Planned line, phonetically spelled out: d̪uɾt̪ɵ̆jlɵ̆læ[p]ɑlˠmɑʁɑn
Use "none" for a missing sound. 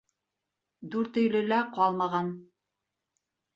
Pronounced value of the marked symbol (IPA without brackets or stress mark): q